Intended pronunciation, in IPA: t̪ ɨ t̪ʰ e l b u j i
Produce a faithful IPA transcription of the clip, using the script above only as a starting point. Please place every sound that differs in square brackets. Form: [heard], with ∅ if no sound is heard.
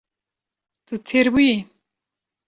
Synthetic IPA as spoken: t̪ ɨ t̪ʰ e [ɾ] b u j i